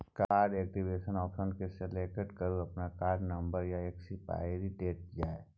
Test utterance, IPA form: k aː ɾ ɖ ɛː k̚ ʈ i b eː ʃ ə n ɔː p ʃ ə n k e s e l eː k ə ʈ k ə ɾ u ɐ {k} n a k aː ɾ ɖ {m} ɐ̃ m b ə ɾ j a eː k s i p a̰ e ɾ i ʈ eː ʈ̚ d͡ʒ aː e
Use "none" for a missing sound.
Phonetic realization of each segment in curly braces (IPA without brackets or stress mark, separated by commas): p, n